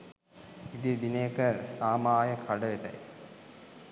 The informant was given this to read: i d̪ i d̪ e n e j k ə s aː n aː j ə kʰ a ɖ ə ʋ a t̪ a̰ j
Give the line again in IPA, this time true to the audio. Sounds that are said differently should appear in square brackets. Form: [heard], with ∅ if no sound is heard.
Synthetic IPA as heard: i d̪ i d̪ [i] n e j k ə s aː [m] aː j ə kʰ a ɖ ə ʋ [e] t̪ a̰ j